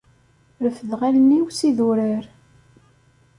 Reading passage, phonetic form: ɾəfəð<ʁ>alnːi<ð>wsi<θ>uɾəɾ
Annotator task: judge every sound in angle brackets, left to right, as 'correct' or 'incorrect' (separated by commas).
correct, incorrect, incorrect